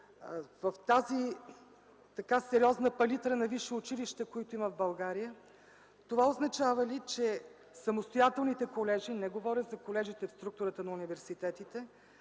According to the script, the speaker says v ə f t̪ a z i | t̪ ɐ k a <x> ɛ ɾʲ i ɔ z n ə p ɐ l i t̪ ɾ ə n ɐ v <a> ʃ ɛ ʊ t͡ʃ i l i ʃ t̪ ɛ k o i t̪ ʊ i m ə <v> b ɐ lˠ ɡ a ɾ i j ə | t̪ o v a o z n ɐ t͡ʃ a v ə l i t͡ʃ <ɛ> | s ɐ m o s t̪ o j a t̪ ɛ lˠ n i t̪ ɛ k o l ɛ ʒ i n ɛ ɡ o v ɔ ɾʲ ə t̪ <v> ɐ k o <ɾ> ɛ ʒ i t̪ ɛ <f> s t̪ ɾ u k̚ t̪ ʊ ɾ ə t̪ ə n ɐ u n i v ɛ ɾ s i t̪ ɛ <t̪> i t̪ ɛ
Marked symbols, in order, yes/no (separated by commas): no, no, yes, yes, no, no, yes, yes